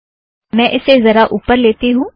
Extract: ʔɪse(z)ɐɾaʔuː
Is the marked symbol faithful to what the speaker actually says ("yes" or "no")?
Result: yes